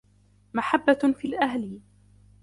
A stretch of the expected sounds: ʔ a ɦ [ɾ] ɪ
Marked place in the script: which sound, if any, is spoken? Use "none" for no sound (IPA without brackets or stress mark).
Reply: l